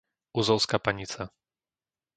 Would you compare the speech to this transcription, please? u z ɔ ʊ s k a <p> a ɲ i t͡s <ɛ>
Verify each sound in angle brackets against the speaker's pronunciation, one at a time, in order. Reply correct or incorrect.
correct, incorrect: a

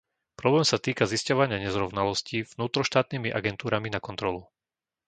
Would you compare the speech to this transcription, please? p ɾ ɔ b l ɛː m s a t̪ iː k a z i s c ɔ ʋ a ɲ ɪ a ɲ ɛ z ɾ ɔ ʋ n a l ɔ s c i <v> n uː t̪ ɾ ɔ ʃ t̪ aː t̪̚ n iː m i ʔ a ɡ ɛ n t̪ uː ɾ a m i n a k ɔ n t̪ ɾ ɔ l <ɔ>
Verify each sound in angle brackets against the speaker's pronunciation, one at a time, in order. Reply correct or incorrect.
correct, incorrect: u

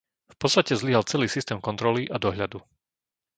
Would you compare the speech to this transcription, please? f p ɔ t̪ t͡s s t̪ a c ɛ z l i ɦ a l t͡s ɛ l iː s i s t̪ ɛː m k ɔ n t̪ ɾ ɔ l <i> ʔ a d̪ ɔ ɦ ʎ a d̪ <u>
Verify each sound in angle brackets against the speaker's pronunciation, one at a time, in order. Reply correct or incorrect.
correct, correct

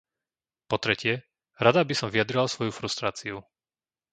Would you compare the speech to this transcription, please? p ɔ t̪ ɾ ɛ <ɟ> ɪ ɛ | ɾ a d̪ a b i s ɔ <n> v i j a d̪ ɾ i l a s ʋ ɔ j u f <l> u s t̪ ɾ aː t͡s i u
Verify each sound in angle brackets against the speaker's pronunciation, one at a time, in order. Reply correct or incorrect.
incorrect: c, incorrect: m, incorrect: ɾ

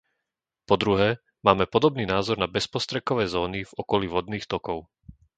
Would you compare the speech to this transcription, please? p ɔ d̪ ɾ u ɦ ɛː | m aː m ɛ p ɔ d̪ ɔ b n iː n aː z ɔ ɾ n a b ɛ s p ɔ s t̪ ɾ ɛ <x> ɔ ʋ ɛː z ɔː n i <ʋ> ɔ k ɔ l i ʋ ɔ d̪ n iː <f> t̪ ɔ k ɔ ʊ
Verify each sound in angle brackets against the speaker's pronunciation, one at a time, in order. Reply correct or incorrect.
incorrect: k, incorrect: v, incorrect: x

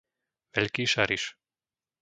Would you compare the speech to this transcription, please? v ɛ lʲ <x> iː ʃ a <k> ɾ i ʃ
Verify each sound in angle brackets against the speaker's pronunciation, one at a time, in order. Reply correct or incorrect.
incorrect: k, incorrect: none

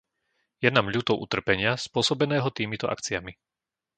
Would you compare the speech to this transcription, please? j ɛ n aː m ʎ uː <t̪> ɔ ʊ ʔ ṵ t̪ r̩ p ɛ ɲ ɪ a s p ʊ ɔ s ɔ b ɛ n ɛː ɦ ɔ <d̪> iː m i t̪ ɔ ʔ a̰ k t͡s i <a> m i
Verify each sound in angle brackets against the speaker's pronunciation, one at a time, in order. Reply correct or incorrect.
correct, incorrect: t̪, correct

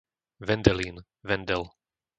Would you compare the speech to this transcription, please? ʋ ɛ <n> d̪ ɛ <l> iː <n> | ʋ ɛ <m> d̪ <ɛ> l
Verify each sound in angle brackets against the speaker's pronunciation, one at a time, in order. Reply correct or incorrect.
correct, correct, correct, incorrect: n, correct

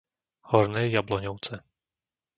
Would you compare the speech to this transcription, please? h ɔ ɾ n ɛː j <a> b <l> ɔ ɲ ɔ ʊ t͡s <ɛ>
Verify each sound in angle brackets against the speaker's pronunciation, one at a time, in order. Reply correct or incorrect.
correct, correct, correct

